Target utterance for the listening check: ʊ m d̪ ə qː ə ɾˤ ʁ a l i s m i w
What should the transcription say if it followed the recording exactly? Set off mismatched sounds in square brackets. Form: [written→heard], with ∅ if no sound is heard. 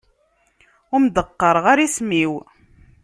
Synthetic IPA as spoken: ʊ m d̪ ə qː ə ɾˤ ʁ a [l→ɾ] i s m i w